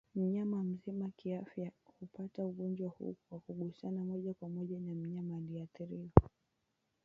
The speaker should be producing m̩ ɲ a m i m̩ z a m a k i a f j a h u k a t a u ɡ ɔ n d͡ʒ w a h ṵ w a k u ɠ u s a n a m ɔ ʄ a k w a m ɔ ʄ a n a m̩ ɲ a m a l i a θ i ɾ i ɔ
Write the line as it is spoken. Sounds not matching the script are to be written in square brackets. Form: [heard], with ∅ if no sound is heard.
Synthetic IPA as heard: m̩ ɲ a m [a] m̩ z [i] m a k i a f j a h u [p] a t a u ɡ ɔ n d͡ʒ w a h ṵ w a k u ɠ u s a n a m ɔ ʄ a k w a m ɔ ʄ a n a m̩ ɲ a m a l i a θ i ɾ i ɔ